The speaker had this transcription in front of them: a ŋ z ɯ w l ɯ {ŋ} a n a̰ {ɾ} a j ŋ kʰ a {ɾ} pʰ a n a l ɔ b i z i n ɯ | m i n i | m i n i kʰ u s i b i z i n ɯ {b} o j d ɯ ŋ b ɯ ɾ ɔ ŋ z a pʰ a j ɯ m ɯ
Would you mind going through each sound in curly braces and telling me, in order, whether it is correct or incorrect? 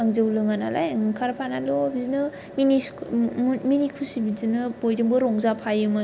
correct, incorrect: l, correct, correct

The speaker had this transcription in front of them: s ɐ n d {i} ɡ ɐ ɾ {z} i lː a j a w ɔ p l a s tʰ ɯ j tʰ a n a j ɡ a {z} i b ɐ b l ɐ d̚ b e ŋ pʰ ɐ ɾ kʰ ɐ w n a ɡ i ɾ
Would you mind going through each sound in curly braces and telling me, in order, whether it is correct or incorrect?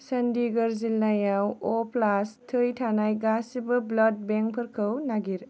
correct, correct, incorrect: s

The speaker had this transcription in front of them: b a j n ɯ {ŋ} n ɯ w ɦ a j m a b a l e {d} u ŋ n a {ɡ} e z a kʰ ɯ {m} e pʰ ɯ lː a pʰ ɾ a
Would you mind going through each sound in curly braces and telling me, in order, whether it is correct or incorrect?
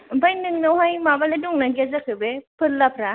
correct, correct, correct, incorrect: b

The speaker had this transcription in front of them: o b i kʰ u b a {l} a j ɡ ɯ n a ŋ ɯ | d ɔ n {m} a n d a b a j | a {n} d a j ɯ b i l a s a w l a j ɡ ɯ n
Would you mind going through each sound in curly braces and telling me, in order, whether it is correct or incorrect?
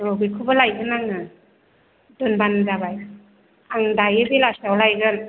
correct, incorrect: b, incorrect: ŋ

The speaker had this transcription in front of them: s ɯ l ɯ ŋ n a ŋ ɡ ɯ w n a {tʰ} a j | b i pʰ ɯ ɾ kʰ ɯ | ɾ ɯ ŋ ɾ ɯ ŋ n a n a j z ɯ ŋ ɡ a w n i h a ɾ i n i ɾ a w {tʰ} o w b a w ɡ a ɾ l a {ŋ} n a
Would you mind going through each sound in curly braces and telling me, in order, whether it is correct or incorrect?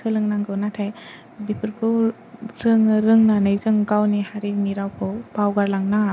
correct, incorrect: kʰ, correct

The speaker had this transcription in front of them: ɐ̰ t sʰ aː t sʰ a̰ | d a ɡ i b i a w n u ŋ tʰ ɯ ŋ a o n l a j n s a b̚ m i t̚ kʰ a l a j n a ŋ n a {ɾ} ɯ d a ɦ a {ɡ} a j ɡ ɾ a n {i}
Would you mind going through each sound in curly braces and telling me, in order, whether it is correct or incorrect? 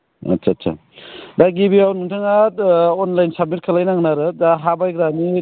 correct, incorrect: b, correct

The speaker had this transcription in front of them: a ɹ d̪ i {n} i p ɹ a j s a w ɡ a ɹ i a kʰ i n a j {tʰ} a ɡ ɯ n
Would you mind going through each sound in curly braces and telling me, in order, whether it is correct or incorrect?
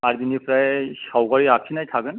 correct, correct

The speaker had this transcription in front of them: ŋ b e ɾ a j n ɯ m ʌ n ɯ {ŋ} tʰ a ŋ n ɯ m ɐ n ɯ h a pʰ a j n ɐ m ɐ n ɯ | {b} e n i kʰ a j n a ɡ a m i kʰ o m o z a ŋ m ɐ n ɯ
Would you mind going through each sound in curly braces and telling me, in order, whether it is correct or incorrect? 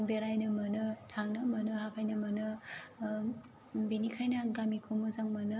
incorrect: none, correct

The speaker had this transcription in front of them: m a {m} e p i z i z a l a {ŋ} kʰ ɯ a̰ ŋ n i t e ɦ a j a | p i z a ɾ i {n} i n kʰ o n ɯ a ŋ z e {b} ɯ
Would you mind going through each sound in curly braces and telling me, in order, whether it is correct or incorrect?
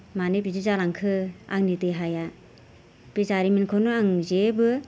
incorrect: n, correct, incorrect: m, correct

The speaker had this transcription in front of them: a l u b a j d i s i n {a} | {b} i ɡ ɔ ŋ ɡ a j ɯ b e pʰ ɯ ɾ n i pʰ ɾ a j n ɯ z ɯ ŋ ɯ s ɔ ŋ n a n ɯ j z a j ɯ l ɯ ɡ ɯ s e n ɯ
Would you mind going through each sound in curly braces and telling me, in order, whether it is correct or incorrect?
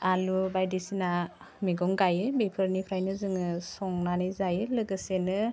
correct, incorrect: m

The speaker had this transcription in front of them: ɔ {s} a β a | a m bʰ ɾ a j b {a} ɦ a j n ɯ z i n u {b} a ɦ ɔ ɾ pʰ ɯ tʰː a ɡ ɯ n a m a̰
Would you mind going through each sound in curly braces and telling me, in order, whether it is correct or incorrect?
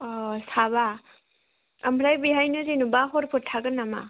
correct, incorrect: i, correct

